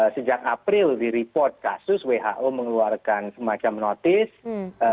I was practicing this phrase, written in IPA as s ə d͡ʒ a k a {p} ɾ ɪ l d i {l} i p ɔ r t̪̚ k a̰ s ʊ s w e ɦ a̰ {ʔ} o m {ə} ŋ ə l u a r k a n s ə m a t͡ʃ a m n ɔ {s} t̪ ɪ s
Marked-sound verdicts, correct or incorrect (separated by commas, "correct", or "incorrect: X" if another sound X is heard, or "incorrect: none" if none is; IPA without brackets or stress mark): correct, incorrect: ɾ, correct, correct, incorrect: none